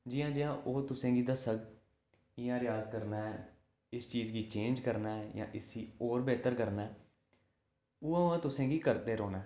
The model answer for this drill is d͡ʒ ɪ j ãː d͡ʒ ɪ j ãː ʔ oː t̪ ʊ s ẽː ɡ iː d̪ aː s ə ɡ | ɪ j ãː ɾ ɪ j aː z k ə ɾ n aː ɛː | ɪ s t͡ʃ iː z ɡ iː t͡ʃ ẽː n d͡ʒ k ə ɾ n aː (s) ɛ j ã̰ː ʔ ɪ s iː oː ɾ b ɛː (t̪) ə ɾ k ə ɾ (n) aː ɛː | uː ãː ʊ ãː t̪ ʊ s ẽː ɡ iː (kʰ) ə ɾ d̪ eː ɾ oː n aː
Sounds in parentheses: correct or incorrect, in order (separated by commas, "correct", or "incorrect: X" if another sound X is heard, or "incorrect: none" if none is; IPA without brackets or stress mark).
incorrect: none, correct, correct, incorrect: k